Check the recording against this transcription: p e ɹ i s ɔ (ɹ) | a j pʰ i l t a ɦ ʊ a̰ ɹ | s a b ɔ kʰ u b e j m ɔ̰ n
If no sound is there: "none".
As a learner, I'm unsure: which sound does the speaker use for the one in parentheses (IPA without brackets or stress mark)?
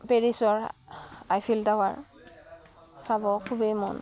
ɹ